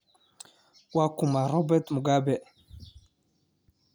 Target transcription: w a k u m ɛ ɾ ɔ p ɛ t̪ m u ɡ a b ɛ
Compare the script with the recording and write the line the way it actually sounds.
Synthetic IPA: w a k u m a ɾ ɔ b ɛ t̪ m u ɡ a b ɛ